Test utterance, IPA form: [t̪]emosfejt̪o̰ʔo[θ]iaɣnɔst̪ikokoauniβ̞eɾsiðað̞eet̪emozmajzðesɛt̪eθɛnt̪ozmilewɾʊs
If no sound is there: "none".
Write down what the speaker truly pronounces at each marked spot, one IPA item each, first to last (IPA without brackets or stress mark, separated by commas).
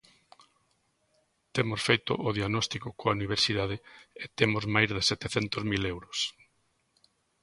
t̪, ð